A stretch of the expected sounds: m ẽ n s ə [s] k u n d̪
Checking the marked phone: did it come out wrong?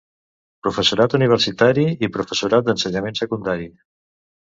yes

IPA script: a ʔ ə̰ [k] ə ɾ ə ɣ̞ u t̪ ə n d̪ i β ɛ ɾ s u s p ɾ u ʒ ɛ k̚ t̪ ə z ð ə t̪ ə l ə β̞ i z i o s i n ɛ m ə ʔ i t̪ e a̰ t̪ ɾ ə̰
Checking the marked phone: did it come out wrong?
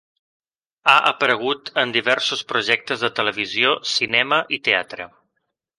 yes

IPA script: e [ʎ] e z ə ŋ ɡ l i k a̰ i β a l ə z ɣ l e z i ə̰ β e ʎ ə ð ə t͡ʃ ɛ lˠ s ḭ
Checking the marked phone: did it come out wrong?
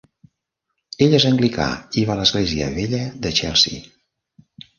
no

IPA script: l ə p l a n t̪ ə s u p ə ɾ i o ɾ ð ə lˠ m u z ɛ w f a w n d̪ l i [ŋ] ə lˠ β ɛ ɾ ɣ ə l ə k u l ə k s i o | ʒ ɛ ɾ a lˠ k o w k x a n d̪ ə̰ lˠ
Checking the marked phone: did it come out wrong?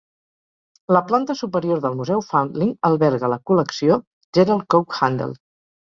no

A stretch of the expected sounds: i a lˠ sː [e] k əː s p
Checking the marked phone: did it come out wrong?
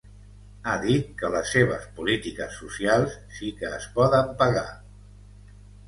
yes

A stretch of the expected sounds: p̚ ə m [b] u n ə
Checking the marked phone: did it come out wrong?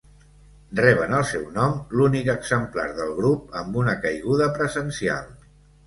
no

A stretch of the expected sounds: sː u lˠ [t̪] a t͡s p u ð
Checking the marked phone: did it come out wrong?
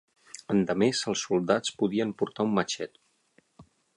yes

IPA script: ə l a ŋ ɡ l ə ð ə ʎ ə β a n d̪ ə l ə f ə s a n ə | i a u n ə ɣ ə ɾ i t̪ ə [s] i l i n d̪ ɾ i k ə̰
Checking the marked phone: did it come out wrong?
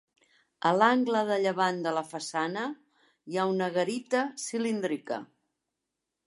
no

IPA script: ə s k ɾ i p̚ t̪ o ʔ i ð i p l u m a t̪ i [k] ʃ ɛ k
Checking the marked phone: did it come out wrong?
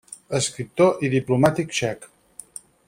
no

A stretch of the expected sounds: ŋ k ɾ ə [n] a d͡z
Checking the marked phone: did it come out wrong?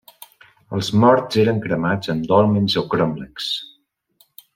yes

